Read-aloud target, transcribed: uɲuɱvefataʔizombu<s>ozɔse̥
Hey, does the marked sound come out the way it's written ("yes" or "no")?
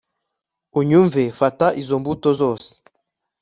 no